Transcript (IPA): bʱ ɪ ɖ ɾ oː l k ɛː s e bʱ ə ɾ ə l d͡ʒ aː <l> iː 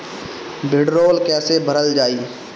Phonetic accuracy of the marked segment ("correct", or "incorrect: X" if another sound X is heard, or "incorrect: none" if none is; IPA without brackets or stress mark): incorrect: none